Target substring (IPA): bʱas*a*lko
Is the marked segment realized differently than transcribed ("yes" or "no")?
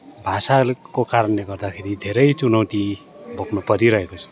no